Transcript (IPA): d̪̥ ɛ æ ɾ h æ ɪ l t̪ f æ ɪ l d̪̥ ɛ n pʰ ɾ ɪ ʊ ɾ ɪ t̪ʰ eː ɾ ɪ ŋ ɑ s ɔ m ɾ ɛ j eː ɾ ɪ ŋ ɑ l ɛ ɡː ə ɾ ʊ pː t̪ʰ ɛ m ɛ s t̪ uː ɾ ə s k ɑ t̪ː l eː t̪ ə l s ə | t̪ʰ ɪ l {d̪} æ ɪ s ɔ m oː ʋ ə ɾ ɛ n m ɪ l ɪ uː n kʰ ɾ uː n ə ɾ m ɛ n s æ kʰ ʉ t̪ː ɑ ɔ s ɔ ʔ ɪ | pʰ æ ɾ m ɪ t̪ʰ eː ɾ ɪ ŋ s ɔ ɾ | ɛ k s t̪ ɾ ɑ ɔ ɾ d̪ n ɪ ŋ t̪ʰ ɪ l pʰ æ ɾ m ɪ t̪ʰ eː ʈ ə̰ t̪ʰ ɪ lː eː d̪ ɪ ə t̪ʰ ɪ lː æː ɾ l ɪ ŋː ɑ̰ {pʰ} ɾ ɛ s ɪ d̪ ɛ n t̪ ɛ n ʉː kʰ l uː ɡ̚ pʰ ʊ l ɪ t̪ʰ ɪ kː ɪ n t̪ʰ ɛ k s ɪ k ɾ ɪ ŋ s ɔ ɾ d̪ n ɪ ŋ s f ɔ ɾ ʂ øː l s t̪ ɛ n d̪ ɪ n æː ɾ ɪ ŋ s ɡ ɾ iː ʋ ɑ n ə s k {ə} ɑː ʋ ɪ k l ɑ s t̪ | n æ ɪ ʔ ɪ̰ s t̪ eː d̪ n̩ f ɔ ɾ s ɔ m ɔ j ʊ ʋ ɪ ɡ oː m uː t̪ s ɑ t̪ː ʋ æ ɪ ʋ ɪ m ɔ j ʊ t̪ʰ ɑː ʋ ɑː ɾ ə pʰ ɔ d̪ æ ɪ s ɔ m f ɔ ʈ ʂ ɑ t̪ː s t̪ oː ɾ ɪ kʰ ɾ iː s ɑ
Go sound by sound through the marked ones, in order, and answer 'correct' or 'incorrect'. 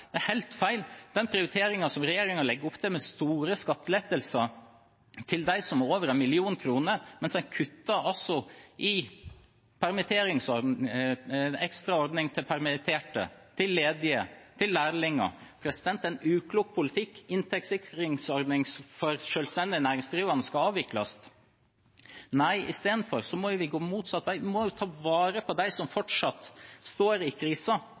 correct, correct, incorrect

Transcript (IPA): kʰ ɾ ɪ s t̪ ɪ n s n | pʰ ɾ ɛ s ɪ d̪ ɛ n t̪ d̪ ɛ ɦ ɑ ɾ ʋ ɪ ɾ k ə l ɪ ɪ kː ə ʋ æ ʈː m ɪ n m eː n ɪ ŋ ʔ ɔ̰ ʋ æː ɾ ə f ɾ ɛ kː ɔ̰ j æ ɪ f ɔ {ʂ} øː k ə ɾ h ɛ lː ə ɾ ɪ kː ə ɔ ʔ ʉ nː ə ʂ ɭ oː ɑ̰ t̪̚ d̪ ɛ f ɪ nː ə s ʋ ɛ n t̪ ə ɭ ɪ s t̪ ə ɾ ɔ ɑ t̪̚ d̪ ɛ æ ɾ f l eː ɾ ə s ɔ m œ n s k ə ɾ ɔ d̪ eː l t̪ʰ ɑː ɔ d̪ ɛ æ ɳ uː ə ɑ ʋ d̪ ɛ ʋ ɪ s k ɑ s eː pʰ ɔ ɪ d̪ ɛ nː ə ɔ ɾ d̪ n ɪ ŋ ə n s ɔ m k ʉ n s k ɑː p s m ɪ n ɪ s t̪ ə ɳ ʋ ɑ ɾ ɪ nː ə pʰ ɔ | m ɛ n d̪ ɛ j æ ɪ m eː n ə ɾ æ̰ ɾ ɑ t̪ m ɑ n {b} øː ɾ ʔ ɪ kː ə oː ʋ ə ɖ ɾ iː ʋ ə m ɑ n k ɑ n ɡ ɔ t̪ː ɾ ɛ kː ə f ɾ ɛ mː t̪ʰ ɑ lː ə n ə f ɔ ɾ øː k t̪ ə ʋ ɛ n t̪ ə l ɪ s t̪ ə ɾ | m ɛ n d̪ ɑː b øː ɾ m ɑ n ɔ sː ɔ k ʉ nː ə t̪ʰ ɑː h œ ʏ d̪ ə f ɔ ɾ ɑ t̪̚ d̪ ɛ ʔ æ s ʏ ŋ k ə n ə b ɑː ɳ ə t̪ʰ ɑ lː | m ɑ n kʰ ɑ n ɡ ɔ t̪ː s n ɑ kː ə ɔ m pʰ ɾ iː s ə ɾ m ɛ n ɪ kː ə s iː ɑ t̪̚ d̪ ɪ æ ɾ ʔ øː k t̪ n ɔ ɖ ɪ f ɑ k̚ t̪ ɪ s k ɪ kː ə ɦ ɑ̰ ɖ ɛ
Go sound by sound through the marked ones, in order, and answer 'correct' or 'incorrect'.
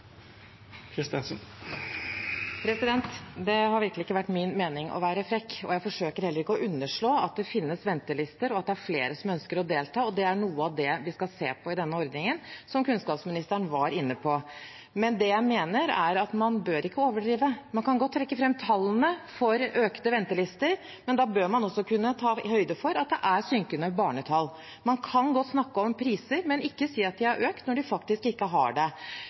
correct, correct

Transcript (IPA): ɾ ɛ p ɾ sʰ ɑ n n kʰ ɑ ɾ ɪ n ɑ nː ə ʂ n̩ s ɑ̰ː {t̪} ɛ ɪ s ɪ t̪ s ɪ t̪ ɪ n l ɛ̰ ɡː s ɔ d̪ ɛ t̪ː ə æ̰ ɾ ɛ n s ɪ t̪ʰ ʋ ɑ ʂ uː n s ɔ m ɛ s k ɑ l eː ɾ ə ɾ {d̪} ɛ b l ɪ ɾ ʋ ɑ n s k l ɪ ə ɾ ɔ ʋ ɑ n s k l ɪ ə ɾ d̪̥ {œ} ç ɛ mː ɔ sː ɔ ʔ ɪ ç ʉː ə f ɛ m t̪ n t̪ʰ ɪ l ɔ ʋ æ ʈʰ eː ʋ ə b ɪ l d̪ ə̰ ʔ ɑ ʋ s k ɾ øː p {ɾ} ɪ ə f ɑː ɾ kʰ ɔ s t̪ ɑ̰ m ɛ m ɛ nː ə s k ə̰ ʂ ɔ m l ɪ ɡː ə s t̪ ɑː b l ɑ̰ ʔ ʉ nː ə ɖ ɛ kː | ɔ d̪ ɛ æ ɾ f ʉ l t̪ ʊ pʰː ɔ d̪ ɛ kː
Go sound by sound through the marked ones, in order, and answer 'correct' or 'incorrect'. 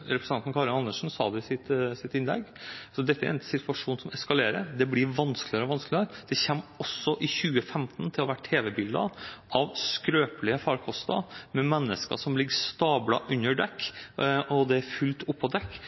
incorrect, correct, incorrect, incorrect

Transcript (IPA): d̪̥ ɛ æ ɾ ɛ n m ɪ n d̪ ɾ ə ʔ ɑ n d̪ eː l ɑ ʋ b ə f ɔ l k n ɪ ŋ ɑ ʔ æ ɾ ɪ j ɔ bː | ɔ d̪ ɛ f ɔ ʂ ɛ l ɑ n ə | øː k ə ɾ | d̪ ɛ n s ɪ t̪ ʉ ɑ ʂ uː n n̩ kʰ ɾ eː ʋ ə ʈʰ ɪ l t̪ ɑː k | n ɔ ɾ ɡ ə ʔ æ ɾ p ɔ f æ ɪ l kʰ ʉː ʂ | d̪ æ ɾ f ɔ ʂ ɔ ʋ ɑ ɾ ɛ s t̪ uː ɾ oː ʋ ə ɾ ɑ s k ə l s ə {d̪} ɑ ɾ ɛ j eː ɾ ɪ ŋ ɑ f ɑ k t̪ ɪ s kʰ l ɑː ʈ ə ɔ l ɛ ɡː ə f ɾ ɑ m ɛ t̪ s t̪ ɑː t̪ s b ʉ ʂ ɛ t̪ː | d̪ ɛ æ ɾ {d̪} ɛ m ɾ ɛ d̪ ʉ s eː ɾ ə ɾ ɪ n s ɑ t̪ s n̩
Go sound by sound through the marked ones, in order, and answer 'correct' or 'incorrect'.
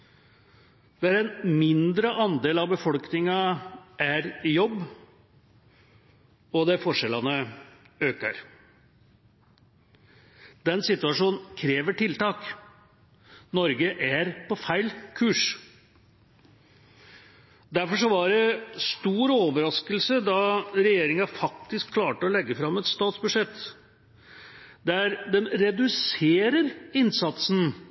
correct, correct

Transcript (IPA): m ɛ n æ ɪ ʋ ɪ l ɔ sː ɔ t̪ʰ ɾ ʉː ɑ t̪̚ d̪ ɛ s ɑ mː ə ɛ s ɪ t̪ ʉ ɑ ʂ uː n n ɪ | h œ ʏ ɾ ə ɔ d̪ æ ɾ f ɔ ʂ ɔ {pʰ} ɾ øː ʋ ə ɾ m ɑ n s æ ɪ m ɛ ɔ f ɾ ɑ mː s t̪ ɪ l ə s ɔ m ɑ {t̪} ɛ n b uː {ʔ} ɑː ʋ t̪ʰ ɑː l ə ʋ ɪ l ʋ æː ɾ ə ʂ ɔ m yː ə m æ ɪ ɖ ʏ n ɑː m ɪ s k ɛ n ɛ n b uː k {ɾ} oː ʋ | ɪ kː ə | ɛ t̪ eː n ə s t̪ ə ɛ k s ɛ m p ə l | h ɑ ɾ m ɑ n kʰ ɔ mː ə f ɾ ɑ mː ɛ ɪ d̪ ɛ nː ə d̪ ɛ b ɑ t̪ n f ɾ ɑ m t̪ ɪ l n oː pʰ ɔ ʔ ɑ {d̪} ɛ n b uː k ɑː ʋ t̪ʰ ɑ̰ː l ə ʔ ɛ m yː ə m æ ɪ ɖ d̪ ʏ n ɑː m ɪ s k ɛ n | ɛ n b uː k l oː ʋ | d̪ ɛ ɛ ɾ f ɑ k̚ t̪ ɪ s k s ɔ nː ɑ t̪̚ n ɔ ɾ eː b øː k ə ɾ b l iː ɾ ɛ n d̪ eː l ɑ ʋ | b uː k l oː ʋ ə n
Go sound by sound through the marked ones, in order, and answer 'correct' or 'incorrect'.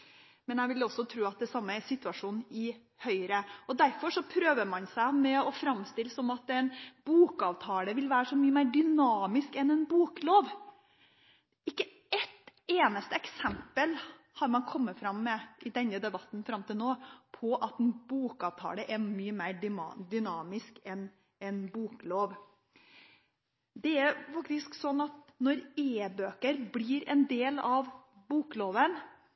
correct, correct, incorrect, incorrect, incorrect

